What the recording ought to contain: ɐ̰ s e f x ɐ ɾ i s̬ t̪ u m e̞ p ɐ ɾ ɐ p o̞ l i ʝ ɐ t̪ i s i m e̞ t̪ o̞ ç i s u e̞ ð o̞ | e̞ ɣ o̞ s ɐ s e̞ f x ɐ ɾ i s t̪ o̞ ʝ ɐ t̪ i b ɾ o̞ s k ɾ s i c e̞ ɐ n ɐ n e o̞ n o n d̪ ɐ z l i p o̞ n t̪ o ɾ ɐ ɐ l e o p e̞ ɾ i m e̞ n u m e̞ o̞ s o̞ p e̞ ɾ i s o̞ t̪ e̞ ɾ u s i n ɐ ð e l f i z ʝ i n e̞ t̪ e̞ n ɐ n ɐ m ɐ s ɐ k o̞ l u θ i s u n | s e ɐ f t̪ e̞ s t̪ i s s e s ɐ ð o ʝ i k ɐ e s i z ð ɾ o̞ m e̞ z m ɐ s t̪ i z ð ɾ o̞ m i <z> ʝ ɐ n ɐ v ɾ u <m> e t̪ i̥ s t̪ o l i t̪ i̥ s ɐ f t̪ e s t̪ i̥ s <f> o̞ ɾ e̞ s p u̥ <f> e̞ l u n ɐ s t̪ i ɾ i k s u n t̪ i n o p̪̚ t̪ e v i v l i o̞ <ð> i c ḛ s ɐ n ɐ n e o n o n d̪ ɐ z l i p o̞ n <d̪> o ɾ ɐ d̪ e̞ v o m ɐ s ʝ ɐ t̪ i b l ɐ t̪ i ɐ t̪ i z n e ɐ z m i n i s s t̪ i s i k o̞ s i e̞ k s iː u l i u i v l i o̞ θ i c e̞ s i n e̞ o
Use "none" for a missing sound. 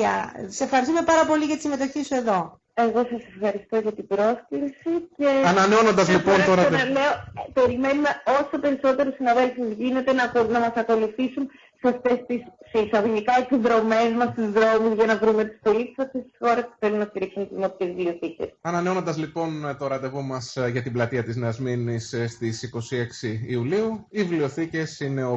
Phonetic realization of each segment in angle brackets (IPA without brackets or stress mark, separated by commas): z, m, x, θ, θ, t̪